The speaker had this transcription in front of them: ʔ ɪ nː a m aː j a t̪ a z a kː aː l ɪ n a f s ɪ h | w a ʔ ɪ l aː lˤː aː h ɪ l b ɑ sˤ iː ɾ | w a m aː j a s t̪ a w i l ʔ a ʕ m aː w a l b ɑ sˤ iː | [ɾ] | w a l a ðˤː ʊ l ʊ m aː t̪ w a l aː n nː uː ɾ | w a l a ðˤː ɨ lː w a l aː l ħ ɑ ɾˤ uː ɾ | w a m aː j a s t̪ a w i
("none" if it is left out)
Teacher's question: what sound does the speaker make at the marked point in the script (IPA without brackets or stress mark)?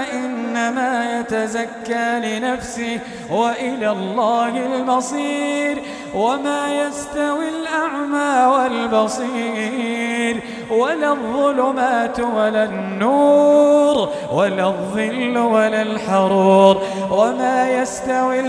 ɾ